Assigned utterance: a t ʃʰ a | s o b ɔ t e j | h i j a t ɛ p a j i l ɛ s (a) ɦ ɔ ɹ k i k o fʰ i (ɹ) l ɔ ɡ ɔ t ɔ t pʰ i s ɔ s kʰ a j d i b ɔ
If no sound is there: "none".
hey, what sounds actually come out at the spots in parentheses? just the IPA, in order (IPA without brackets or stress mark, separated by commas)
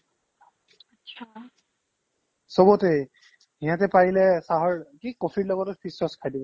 a, ɹ